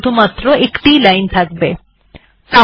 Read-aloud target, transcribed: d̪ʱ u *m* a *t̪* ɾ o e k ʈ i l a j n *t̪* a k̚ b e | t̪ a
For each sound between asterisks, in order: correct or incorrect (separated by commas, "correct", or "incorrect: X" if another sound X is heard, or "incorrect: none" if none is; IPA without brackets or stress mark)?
correct, correct, incorrect: t̪ʰ